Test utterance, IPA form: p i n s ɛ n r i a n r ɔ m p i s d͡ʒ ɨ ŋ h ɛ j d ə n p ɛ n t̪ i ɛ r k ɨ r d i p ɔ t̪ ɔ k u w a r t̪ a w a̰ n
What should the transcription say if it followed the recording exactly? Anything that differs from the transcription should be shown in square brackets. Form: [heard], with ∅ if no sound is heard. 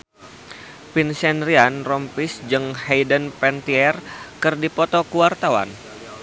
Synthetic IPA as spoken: p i n s ɛ n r i a n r ɔ m p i s d͡ʒ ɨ ŋ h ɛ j d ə n p ɛ n t̪ i ɛ r k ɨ r d i p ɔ t̪ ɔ k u w a r t̪ a w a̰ n